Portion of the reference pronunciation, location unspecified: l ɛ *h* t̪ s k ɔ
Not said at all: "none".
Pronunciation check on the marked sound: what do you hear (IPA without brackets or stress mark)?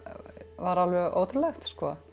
x